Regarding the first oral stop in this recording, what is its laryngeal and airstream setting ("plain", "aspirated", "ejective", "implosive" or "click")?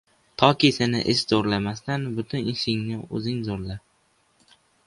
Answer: aspirated